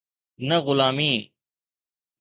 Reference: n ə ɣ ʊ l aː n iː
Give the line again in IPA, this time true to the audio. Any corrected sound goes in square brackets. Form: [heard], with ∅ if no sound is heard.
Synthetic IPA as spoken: n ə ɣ ʊ l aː [m] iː